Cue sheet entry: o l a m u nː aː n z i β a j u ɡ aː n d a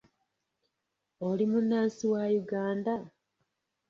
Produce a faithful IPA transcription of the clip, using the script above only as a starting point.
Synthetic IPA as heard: o l i m u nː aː n s i w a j u ɡ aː n d a

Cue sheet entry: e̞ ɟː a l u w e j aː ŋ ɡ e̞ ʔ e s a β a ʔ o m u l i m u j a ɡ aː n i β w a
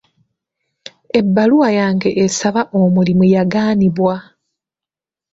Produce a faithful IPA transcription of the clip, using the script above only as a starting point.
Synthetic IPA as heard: e̞ bː a l u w a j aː ŋ ɡ e̞ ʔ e s a β a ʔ o m u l i m u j a ɡ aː n i β w a

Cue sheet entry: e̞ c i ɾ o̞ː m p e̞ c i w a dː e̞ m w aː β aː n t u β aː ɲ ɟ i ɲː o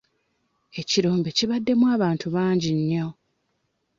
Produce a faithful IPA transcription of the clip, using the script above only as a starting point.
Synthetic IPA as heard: e̞ c i ɾ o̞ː m b e̞ c i β a dː e̞ m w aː β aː n t u β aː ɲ ɟ i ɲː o

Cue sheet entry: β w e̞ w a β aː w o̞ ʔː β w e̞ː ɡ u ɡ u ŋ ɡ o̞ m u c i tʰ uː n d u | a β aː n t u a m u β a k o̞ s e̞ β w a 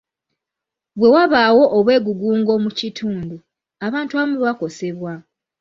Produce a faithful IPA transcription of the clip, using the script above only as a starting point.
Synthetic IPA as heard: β w e̞ w a β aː w o̞ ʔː β w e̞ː ɡ u ɡ uː ŋ ɡ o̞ m u c i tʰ uː n d u | a β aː n t u a m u β a k o̞ s e̞ β w a

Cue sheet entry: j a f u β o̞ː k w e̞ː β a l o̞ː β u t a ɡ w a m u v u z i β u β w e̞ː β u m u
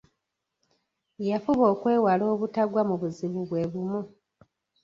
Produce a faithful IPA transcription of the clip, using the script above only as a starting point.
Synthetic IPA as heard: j a f u β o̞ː k w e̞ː w a l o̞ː β u t a ɡ w a m u β u z i β u β w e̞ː β u m u

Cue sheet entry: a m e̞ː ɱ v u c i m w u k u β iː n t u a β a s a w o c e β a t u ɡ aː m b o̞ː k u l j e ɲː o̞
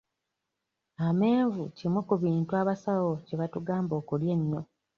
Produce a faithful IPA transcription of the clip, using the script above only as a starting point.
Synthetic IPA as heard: a m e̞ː ɱ v u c i m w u k u β iː n t u a β a s a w o c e β a t u ɡ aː m b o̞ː k u l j e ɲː o̞

